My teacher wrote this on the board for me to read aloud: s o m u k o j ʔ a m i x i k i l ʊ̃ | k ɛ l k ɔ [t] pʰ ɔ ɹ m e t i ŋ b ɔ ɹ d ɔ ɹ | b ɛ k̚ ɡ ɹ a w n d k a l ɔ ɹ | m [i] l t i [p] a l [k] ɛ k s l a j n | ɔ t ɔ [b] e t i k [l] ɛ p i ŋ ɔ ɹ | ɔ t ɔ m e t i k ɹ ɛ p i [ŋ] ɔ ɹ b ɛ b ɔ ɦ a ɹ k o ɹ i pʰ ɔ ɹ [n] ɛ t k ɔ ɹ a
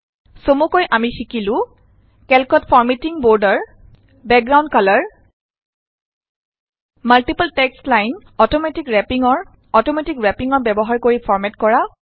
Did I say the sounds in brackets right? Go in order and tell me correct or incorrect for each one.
correct, incorrect: a, correct, incorrect: t, incorrect: m, incorrect: ɹ, correct, incorrect: m

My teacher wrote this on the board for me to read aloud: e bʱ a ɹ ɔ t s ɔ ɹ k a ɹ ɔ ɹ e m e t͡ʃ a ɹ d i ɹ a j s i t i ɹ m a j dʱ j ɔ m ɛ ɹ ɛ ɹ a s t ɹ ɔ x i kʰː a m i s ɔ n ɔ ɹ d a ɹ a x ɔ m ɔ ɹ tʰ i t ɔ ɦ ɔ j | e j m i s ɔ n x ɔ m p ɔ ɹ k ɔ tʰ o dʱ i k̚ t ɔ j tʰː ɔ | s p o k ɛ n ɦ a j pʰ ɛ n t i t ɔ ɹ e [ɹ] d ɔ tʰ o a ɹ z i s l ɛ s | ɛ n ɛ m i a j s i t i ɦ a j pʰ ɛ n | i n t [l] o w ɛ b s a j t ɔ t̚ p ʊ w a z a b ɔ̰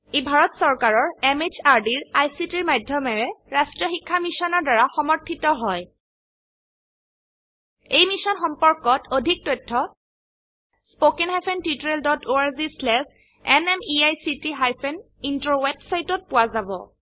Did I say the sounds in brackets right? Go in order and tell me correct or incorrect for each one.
incorrect: l, incorrect: ɹ

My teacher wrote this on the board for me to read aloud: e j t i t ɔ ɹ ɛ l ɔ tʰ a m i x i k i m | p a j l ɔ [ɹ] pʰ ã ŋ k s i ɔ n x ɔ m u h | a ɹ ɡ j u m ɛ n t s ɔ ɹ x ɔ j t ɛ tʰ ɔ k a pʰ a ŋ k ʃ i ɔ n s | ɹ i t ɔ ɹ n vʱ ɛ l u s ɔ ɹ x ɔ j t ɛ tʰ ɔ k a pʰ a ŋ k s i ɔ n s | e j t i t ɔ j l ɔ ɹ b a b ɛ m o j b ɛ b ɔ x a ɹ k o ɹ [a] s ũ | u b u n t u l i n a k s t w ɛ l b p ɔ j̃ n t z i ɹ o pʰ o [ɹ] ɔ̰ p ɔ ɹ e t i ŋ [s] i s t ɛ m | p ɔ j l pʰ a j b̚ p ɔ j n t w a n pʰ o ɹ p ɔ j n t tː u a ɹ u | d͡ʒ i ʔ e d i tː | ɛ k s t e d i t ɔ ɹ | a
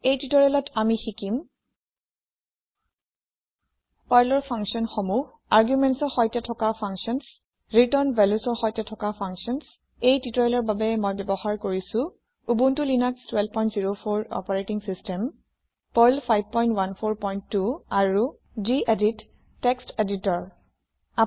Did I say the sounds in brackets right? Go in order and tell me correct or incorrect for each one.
correct, incorrect: i, correct, correct

